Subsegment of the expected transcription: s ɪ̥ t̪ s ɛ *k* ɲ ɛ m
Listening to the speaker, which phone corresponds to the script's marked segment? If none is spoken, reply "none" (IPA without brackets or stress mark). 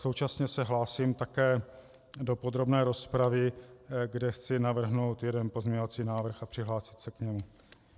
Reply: k